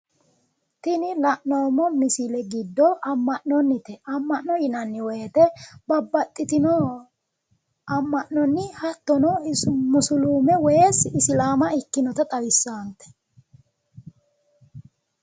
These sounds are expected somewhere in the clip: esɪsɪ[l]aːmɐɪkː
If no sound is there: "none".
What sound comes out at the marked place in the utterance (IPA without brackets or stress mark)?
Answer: l